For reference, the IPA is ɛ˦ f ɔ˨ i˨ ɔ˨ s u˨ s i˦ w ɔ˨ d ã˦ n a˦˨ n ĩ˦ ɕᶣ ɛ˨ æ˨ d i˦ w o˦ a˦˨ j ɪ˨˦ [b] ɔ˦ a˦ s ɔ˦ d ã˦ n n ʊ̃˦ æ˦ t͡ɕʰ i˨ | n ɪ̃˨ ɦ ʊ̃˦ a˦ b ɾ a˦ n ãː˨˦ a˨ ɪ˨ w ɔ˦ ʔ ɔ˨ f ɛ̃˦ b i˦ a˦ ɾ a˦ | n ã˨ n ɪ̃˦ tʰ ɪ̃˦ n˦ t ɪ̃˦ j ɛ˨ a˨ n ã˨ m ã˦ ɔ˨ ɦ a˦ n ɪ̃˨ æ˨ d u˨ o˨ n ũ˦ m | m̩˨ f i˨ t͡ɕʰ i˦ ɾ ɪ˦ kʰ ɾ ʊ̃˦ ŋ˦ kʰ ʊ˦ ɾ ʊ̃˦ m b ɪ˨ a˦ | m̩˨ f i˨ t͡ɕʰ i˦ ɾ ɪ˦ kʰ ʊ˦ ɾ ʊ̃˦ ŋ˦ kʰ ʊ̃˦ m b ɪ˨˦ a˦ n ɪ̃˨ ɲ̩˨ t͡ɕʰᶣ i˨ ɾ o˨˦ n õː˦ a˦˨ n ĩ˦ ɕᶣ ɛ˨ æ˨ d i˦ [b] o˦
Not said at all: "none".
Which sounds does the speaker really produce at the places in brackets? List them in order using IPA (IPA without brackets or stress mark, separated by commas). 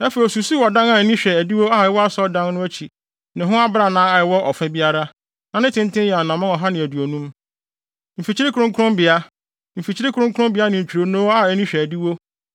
w, w